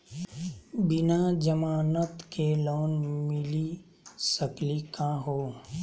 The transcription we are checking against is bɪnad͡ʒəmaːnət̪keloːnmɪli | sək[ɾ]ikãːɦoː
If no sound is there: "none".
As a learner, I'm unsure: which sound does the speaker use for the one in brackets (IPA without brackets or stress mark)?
l